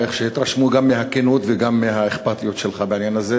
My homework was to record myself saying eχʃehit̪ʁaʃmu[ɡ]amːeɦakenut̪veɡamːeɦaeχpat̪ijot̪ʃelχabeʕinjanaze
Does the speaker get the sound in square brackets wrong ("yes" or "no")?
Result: no